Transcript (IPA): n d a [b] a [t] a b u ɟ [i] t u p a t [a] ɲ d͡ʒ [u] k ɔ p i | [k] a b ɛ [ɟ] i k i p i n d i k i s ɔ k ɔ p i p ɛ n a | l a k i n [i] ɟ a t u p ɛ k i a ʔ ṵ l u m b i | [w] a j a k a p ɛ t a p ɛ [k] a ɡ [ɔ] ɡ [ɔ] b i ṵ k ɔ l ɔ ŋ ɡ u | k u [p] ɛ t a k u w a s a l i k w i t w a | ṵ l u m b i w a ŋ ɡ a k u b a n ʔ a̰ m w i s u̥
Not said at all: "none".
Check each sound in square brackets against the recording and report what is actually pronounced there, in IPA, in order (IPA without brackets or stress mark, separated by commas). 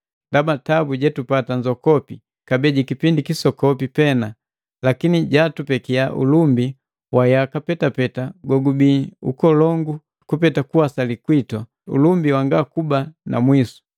b, t, ɛ, a, ɔ, k, ɟ, i, w, t, ɔ, u, p